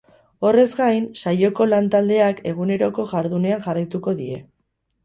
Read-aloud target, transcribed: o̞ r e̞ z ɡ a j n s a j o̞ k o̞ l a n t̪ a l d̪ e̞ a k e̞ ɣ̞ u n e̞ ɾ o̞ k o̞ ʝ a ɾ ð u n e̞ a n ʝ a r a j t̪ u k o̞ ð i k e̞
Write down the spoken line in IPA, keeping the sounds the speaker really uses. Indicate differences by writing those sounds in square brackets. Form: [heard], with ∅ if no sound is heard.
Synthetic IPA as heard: o̞ r e̞ z ɡ a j n s a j o̞ k o̞ l a n t̪ a l d̪ e̞ a k e̞ ɣ̞ u n e̞ ɾ o̞ k o̞ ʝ a ɾ ð u n e̞ a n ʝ a r a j t̪ u k o̞ ð i [∅] e̞